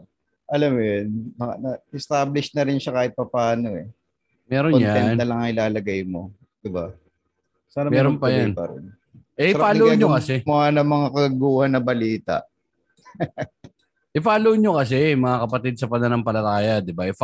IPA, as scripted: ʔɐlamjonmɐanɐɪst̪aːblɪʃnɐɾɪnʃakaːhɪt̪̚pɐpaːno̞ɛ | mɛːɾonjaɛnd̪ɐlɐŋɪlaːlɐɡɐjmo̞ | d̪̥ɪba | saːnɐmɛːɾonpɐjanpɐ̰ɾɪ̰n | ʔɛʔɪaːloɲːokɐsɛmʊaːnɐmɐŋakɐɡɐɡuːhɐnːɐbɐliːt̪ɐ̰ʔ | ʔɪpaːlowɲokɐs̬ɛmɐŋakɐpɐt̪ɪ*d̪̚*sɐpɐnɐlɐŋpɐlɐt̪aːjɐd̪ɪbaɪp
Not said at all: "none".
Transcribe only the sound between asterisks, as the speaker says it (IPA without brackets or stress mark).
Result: d̪̚